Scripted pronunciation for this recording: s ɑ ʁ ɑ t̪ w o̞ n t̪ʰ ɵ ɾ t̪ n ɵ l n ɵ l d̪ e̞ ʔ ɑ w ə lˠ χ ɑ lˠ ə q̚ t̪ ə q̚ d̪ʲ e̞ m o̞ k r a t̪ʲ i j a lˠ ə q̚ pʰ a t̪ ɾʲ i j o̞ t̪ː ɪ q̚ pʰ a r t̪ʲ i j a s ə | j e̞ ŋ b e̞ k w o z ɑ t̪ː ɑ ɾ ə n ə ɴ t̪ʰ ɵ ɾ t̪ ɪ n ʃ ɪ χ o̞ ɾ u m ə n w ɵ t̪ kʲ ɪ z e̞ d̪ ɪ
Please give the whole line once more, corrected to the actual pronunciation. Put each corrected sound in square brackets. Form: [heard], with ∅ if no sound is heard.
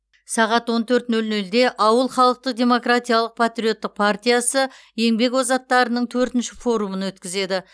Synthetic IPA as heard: s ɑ ʁ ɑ t̪ w o̞ n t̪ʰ ɵ ɾ t̪ n ɵ l n ɵ l d̪ e̞ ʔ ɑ w ə lˠ χ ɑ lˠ ə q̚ t̪ ə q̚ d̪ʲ e̞ m o̞ k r a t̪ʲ i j a lˠ ə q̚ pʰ a t̪ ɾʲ i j o̞ t̪ː ɪ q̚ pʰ a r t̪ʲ i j a s ə | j e̞ ŋ b e̞ k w o z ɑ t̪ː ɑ ɾ ə n ə ɴ t̪ʰ ɵ ɾ t̪ ɪ n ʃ ɪ [f] o̞ ɾ u m ə n w ɵ t̪ kʲ ɪ z e̞ d̪ ɪ